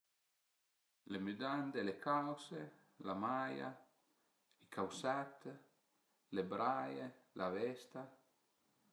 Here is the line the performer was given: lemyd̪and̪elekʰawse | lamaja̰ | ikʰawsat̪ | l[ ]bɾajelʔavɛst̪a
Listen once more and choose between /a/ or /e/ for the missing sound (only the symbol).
e